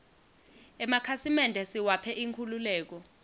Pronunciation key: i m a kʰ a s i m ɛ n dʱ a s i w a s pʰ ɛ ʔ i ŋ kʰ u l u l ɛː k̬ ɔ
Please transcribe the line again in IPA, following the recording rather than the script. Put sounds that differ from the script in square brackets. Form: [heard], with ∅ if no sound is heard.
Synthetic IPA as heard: [ɛ] m a kʰ a s i m ɛ n dʱ [ɛ] s i w a [∅] pʰ ɛ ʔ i ŋ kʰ u l u l ɛː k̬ ɔ